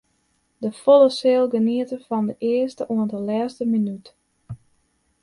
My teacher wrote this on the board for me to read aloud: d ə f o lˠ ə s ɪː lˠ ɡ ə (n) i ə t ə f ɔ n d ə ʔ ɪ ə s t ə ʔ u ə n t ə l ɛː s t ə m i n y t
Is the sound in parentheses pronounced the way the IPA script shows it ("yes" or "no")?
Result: yes